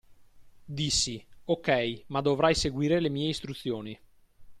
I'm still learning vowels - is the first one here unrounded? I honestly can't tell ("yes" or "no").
yes